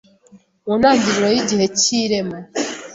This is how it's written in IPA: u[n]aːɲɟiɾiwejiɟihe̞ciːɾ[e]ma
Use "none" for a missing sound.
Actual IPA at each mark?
n, e

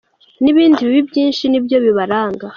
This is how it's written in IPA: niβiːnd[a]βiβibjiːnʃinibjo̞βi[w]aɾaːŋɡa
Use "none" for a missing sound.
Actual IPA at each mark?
i, β

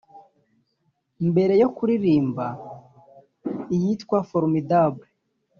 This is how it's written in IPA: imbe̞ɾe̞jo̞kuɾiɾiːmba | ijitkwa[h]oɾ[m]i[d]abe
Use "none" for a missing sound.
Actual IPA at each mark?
f, m, d

